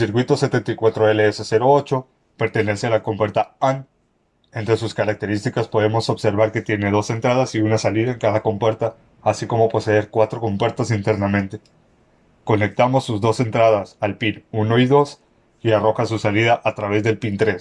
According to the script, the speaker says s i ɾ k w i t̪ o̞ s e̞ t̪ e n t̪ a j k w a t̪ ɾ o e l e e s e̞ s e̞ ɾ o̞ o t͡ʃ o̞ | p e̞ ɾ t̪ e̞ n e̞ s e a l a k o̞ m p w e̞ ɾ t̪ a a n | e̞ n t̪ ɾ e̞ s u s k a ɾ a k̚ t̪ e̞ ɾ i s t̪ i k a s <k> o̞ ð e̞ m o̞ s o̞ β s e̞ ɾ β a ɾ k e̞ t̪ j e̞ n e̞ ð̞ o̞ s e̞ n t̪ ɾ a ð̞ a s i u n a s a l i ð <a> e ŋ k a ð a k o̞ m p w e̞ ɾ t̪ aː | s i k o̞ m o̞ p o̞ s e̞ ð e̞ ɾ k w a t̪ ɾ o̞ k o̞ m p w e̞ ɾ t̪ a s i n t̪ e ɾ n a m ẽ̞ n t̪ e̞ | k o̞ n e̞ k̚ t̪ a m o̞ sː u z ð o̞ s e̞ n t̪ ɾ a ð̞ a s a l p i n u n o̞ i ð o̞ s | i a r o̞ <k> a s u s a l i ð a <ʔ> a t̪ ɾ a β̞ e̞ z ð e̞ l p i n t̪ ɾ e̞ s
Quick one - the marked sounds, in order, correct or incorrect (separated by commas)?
incorrect, correct, incorrect, correct